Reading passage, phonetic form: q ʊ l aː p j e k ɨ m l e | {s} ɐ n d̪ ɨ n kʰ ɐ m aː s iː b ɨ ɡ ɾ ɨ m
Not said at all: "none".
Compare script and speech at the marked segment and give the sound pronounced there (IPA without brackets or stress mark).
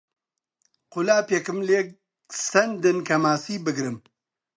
s